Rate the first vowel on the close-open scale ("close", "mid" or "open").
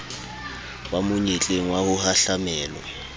open